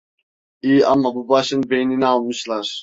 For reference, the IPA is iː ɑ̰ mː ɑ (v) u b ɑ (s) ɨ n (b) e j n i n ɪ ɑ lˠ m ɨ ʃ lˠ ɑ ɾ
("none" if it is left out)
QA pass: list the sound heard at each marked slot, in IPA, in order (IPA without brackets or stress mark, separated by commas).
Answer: b, ʃ, b